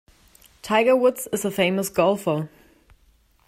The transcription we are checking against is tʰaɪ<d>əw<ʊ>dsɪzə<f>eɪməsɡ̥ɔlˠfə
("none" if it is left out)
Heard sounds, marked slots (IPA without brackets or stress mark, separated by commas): ɡ, ʊ, f